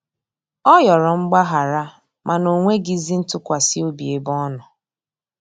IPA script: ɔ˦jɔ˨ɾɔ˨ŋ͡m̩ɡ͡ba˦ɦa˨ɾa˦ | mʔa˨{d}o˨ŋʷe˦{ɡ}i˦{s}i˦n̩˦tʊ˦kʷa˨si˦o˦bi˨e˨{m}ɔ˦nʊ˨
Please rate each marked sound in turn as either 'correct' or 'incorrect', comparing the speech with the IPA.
incorrect, correct, incorrect, incorrect

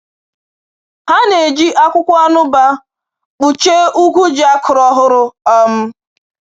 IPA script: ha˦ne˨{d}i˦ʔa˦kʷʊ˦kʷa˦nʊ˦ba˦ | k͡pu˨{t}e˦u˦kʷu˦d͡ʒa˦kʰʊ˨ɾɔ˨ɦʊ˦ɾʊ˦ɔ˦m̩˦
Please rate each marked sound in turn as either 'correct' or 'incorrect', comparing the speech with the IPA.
incorrect, incorrect

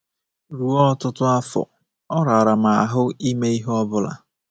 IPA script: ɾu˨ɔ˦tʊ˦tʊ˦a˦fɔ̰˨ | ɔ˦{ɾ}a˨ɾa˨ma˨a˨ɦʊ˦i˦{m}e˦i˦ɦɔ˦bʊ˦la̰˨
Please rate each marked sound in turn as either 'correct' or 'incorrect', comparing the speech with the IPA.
correct, correct

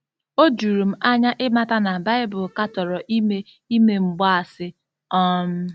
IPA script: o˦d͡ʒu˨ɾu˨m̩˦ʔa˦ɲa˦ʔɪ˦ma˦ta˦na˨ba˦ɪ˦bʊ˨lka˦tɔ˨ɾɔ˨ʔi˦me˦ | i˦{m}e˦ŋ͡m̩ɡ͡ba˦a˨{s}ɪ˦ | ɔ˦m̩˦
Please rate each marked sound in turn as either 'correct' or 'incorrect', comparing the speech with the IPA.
correct, correct

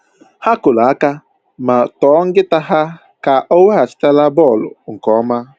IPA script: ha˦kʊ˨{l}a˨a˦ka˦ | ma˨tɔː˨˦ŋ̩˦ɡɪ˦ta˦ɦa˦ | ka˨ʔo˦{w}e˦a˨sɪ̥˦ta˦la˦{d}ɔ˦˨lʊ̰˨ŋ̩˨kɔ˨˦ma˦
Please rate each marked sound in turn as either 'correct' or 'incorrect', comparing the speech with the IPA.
correct, correct, incorrect

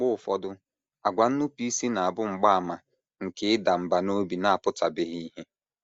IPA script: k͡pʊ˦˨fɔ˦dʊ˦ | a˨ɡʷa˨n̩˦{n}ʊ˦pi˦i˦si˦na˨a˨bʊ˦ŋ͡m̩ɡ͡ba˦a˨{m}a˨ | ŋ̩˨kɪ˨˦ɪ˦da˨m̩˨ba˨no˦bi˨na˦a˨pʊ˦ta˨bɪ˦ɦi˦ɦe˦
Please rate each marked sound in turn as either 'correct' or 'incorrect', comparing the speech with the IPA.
correct, correct

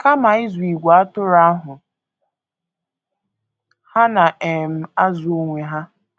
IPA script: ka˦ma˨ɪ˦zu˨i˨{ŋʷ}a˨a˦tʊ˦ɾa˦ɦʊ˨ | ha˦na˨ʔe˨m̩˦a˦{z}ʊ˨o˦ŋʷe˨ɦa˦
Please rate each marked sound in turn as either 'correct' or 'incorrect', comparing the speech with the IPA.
incorrect, correct

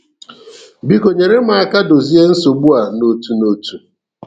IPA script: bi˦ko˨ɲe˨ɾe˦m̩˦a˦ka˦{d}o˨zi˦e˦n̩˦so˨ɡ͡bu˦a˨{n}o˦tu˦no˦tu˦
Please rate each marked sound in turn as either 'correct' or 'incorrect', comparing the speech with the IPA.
correct, correct

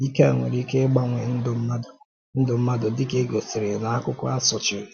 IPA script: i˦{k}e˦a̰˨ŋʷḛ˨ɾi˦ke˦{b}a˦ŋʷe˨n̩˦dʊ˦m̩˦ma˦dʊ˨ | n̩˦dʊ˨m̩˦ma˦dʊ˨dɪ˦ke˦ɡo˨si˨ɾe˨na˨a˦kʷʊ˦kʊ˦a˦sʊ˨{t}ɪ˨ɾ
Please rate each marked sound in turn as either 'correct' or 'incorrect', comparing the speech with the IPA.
correct, incorrect, incorrect

